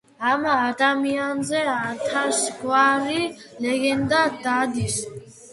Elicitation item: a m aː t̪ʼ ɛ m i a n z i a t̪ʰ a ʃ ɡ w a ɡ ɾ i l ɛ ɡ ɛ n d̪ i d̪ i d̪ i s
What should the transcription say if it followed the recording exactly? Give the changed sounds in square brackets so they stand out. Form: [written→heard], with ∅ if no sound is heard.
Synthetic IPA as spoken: a m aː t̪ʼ [ɛ→a] m i a n z [i→ɛ] a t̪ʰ a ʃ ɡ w a [ɡ→∅] ɾ i l ɛ ɡ ɛ n d̪ [i→a] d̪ [i→a] d̪ i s